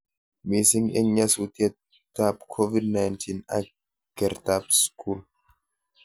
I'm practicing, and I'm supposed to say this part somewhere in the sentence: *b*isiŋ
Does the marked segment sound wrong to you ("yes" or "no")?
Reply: yes